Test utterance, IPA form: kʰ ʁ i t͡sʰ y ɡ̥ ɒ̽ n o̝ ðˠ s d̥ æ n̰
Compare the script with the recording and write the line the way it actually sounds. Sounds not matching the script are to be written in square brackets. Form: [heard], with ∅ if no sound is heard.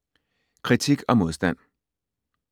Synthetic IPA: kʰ ʁ i t͡sʰ [i] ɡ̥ ɒ̽ [m] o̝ ðˠ s d̥ æ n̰

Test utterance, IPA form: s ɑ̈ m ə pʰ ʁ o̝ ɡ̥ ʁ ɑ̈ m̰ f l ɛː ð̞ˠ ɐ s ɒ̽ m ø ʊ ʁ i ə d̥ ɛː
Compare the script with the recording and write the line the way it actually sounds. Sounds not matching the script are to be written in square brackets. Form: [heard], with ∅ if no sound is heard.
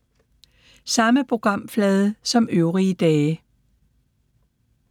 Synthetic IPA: s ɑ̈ m ə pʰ ʁ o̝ ɡ̥ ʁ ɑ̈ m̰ f l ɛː ð̞ˠ [ə] s ɒ̽ m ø ʊ ʁ i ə d̥ ɛː

